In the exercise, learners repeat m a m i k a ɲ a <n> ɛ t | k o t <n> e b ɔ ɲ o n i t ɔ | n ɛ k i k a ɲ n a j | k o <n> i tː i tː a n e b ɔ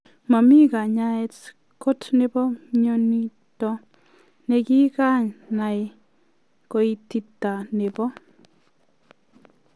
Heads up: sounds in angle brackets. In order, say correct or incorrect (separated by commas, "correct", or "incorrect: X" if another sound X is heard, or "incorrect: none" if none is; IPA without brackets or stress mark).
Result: incorrect: none, correct, incorrect: none